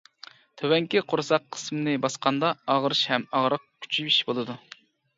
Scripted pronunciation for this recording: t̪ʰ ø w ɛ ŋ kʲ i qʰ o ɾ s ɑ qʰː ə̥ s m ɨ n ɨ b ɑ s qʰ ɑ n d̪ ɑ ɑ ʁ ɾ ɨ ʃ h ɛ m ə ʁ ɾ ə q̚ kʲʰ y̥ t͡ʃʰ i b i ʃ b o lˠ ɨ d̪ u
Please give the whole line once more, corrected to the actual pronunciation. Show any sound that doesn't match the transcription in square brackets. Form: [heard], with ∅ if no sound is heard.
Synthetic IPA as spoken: t̪ʰ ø w ɛ ŋ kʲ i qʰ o ɾ s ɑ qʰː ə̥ s m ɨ n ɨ b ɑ s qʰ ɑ n d̪ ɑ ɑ ʁ ɾ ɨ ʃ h ɛ m [ɑ] ʁ ɾ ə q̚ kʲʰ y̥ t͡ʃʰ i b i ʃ b o lˠ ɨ d̪ u